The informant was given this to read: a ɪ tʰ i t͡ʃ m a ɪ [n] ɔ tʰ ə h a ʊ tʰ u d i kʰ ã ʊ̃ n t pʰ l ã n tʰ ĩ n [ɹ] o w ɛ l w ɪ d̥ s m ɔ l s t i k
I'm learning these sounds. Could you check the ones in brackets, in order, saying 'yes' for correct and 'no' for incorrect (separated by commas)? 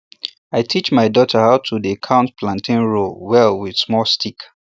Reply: no, yes